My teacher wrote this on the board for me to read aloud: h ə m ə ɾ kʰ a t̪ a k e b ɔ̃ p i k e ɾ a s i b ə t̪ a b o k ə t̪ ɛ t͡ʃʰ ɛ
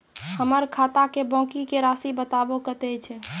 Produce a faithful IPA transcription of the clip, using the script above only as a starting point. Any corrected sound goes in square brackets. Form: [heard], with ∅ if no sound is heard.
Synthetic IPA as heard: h ə m ə ɾ kʰ a t̪ a k e b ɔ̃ [k] i k e ɾ a s i b ə t̪ a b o k ə t̪ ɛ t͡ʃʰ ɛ